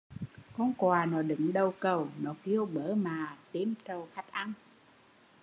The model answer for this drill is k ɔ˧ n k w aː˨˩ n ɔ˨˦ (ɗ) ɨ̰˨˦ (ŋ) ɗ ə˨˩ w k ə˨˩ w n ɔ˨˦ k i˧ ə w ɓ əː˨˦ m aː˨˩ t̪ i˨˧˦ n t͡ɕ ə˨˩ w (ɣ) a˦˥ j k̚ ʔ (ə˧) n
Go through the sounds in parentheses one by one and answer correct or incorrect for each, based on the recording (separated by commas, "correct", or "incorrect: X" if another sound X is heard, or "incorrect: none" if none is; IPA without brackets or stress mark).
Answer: correct, correct, incorrect: x, incorrect: a˧